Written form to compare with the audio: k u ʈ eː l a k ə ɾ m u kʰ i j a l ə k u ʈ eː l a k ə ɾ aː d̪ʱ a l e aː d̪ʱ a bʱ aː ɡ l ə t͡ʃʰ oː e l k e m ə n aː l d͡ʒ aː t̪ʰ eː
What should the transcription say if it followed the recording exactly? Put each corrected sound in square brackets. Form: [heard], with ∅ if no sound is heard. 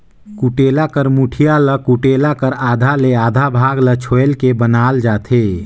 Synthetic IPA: k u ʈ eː l a k ə ɾ m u [ʈʰ] i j a l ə k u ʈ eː l a k ə ɾ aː d̪ʱ a l e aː d̪ʱ a bʱ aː ɡ l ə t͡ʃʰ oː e l k e [b] ə n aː l d͡ʒ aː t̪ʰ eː